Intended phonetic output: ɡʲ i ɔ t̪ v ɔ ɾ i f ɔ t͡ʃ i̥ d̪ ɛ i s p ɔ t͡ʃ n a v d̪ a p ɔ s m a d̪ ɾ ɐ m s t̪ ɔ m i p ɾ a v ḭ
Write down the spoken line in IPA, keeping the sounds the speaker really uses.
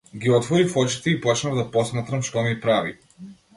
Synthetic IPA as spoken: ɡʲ i ɔ t̪ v ɔ ɾ i f ɔ t͡ʃ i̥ t̪ ɛ i p ɔ t͡ʃ n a v d̪ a p ɔ s m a t̪ ɾ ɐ m ʃ t̪ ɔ m i p ɾ a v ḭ